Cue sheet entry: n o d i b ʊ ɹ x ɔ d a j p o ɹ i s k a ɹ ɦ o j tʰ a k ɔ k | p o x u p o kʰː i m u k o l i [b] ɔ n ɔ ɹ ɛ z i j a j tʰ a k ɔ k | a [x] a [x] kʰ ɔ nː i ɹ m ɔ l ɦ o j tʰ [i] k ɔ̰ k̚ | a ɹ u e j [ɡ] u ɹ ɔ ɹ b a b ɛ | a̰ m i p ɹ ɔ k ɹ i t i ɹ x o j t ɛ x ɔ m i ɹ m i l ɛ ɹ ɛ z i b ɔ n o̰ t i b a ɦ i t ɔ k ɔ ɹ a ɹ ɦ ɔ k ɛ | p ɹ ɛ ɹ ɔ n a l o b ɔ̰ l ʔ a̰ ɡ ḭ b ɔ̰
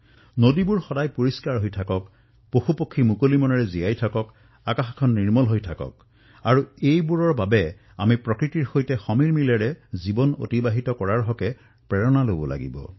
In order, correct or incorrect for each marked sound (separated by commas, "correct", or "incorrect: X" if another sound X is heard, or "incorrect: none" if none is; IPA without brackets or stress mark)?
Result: incorrect: m, incorrect: k, correct, incorrect: a, incorrect: b